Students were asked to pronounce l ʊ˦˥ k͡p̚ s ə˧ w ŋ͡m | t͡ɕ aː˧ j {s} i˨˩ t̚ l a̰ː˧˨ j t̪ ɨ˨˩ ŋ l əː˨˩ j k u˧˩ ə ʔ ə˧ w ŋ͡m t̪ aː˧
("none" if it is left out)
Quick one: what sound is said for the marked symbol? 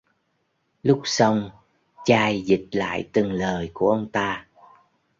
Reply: z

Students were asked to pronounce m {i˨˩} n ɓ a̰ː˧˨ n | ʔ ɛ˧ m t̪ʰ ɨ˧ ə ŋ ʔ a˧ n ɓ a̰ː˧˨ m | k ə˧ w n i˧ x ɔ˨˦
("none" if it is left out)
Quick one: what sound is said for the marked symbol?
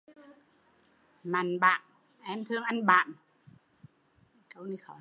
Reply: a˨˩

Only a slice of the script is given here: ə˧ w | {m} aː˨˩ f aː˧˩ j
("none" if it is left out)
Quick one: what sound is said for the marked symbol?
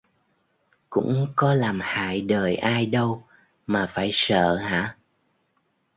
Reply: m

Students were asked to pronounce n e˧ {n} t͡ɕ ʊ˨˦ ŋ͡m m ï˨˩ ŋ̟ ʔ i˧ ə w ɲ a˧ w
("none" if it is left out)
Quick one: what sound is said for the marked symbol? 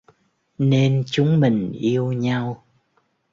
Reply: n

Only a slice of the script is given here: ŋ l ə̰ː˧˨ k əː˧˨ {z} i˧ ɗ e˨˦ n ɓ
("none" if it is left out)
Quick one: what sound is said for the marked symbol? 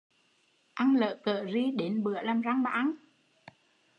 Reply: z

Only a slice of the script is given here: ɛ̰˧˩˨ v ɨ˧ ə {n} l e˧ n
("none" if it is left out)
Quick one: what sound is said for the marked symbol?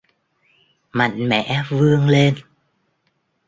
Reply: ŋ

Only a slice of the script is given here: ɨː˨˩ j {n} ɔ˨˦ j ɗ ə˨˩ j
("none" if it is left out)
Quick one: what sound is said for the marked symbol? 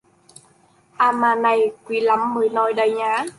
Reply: n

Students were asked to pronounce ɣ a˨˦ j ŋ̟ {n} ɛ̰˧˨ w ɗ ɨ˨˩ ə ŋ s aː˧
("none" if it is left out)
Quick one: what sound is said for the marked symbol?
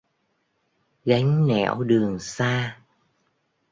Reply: n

